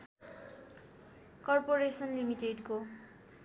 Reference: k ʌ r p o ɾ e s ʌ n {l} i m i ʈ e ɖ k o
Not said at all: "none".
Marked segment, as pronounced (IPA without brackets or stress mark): l